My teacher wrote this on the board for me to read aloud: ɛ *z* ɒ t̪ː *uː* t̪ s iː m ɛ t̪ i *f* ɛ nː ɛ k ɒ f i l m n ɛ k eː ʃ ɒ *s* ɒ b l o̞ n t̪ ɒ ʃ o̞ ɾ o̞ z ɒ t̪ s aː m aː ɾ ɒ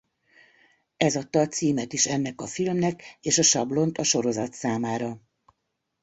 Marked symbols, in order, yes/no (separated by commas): yes, no, no, no